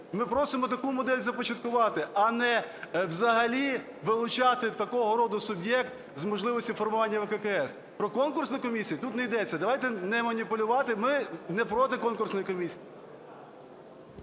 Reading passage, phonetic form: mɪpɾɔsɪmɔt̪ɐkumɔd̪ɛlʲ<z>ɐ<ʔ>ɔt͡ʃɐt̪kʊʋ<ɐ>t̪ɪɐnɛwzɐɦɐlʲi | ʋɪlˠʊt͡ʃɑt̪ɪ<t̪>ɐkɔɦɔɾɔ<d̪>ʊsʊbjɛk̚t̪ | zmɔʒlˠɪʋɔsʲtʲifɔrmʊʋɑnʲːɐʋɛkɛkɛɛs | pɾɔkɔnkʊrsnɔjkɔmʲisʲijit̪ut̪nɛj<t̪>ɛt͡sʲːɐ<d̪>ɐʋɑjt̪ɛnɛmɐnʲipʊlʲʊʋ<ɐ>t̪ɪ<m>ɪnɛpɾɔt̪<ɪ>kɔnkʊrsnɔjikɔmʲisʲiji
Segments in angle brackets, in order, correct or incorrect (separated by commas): correct, incorrect, incorrect, correct, correct, incorrect, correct, incorrect, correct, correct